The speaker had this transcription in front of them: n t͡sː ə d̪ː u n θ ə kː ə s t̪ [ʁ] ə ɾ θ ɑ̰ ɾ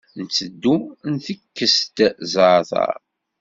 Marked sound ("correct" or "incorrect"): incorrect